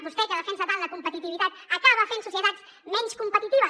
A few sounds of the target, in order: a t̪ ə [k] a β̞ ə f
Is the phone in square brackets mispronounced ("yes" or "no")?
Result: no